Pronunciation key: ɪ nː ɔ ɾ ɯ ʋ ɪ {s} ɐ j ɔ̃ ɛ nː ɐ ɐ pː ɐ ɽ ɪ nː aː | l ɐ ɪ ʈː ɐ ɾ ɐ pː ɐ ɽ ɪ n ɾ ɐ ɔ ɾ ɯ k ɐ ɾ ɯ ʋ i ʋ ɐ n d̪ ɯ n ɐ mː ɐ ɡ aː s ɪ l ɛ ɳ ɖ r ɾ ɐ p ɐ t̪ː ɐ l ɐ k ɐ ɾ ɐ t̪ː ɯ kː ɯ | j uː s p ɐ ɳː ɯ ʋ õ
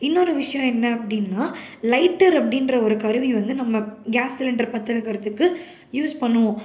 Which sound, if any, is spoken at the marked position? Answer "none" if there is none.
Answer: ʂ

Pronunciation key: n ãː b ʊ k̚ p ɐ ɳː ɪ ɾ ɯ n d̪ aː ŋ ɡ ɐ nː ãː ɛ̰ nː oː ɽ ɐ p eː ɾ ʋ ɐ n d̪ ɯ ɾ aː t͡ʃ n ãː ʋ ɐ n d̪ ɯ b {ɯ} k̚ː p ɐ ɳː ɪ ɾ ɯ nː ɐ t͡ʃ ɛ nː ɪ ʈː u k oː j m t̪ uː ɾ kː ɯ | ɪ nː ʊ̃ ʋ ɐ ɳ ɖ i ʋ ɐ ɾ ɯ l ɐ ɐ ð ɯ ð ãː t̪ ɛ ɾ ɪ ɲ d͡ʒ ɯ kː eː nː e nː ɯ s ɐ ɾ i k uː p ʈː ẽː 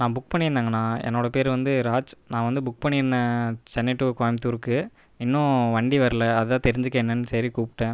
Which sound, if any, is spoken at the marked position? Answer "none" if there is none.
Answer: ʊ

